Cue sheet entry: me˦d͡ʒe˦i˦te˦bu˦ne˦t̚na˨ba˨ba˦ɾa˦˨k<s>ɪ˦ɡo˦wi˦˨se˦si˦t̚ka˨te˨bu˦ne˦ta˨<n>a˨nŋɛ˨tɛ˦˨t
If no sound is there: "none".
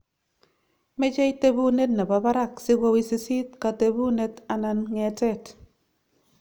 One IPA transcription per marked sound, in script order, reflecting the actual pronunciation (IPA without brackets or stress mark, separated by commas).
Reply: s, n